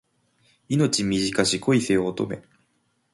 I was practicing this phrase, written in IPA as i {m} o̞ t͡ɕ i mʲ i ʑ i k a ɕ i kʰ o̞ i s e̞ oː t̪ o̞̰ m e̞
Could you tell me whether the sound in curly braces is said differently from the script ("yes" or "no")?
yes